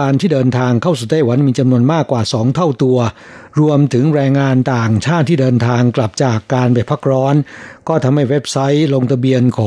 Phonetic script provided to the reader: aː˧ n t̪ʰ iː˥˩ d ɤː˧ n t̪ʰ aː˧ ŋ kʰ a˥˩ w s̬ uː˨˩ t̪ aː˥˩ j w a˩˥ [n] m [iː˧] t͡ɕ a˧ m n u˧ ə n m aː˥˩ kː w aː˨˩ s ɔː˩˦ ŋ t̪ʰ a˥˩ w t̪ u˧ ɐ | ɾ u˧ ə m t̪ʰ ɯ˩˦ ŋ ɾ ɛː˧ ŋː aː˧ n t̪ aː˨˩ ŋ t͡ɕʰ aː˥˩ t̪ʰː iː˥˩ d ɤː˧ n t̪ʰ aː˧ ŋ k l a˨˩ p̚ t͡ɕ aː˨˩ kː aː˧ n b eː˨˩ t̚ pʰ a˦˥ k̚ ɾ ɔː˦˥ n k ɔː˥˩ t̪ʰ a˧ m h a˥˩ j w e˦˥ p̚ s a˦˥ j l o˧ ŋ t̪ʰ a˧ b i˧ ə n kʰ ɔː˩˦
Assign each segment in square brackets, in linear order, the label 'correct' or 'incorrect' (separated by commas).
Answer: correct, correct